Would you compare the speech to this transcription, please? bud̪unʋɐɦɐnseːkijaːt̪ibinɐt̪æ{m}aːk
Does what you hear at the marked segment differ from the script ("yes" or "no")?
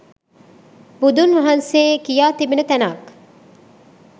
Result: yes